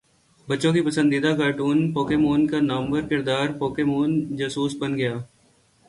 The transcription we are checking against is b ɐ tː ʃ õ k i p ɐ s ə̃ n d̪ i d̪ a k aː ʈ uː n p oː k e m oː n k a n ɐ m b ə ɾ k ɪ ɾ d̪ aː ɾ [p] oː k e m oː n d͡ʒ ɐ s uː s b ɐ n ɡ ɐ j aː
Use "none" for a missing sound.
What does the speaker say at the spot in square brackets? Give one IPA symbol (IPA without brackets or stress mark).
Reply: p